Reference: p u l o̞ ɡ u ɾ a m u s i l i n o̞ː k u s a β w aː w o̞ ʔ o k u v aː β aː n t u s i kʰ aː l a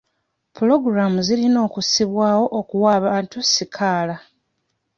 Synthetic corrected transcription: p u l o̞ ɡ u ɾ a m u z i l i n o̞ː k u s i β w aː w o̞ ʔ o k u w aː β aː n t u s i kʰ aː l a